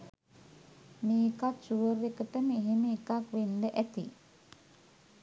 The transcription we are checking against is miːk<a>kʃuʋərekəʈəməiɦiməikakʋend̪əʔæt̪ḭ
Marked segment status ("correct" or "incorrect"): correct